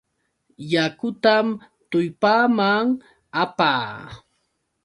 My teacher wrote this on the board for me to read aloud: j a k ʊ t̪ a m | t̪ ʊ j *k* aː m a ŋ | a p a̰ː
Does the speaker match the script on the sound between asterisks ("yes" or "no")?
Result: no